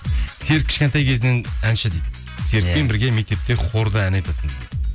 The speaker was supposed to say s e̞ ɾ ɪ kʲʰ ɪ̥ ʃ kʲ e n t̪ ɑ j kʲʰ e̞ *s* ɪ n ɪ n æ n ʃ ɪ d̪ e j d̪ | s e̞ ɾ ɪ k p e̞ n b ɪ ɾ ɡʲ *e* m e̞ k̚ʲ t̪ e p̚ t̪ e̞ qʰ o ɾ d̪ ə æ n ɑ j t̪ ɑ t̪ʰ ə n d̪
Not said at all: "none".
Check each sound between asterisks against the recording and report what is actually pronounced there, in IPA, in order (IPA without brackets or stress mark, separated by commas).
z, e